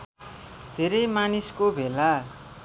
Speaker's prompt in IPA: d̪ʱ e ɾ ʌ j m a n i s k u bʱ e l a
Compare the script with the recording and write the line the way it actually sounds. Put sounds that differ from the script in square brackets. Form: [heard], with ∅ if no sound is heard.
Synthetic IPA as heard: d̪ʱ e ɾ ʌ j m a n i s k [o] bʱ e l a